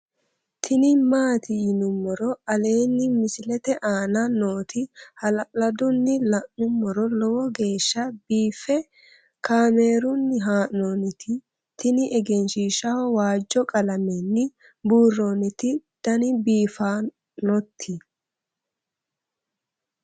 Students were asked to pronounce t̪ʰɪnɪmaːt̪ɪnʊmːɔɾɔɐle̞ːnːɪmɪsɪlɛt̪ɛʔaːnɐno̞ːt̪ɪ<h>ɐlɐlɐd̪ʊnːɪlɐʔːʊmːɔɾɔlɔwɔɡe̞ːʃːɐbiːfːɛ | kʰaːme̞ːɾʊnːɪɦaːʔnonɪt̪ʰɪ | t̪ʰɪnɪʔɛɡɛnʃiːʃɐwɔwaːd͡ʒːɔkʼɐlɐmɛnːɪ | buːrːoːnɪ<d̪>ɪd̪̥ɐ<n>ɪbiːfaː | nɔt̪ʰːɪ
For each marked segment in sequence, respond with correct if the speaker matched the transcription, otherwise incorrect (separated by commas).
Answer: correct, incorrect, correct